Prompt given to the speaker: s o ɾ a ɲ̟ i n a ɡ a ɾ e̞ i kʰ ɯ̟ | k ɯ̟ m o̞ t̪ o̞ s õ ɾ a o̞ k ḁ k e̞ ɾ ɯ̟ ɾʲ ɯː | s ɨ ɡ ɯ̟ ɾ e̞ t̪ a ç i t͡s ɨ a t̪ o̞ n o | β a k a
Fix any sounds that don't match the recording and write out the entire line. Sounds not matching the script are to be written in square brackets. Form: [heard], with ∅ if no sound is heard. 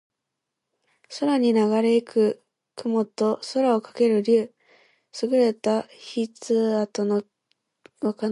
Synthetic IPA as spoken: s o ɾ a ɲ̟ i n a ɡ a ɾ e̞ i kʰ ɯ̟ | k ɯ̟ m o̞ t̪ o̞ s [o] ɾ a o̞ k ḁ k e̞ ɾ ɯ̟ ɾʲ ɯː | s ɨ ɡ ɯ̟ ɾ e̞ t̪ a ç i t͡s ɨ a t̪ o̞ n o | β a k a

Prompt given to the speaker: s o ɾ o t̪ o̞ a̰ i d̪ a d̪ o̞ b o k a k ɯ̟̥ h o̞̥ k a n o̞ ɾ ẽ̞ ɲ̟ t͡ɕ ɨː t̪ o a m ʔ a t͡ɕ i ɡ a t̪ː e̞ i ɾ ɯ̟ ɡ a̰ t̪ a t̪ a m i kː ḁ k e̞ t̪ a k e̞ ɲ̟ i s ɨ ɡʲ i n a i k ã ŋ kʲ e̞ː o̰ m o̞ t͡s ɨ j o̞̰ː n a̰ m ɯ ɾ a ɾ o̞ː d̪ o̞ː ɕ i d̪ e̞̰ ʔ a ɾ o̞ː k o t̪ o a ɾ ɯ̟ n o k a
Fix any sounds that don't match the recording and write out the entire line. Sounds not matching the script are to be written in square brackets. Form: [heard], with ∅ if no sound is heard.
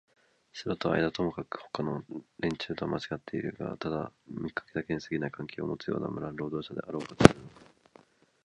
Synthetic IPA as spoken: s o ɾ o t̪ o̞ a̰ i d̪ a [t̪] o̞ [m] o k a k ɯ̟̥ h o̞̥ k a n o̞ ɾ ẽ̞ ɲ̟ t͡ɕ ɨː t̪ o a m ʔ a t͡ɕ i ɡ a t̪ː e̞ i ɾ ɯ̟ ɡ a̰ t̪ a [d̪] a m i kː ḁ k e̞ [d̪] a k e̞ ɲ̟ i s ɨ ɡʲ i n a i k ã ŋ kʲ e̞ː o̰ m o̞ t͡s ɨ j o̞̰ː n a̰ m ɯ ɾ a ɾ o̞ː d̪ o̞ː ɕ [a] d̪ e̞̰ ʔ a ɾ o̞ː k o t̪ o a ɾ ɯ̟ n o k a

